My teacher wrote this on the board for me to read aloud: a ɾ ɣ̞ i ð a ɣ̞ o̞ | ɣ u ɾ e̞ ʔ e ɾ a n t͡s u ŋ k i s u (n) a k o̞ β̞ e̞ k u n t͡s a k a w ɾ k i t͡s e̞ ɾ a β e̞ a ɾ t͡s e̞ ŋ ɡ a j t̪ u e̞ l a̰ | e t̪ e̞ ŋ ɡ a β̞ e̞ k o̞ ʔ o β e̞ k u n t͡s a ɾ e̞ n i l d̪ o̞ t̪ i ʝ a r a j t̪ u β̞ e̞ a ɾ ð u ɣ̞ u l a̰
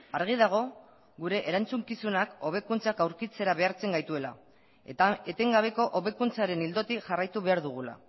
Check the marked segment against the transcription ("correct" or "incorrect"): correct